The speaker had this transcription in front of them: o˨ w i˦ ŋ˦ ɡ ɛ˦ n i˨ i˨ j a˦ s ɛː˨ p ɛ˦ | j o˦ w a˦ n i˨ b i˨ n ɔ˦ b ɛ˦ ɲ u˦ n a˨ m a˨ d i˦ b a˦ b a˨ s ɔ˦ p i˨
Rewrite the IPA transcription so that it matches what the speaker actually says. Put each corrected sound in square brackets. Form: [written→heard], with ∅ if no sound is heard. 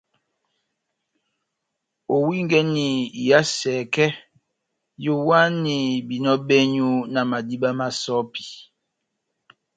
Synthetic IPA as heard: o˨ w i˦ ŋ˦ ɡ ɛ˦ n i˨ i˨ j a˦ s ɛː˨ [p→k] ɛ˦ | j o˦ w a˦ n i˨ b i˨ n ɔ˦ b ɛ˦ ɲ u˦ n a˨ m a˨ d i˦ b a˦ [b→m] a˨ s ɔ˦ p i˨